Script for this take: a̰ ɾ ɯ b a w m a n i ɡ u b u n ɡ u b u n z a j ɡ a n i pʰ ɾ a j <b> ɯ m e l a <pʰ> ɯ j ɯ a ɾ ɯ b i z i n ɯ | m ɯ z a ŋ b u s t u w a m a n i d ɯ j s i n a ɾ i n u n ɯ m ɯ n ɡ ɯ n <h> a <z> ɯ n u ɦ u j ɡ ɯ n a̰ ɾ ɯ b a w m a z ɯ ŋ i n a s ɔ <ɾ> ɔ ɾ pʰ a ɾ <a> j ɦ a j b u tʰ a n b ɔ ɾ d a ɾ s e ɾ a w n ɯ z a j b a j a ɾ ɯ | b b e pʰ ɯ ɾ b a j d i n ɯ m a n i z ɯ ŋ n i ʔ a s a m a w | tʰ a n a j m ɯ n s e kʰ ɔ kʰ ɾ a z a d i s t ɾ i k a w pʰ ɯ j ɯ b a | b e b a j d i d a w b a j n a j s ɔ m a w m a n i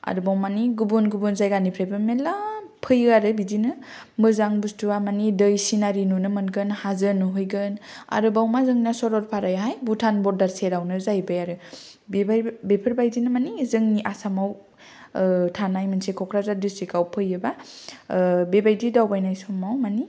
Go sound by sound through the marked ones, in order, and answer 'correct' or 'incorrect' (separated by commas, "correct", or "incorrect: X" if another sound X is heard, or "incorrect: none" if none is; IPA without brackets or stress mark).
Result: correct, correct, correct, correct, correct, correct